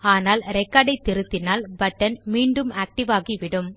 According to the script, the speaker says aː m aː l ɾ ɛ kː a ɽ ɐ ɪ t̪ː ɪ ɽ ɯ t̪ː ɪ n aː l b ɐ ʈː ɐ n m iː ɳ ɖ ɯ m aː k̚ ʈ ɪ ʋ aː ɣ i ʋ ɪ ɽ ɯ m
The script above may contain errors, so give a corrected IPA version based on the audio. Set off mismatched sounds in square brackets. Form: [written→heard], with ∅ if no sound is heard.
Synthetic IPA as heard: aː [m→n] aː l ɾ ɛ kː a ɽ ɐ ɪ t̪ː ɪ [ɽ→ɾ] ɯ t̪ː ɪ n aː l b ɐ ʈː ɐ n m iː ɳ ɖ ɯ m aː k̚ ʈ ɪ ʋ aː ɣ i ʋ ɪ ɽ ɯ m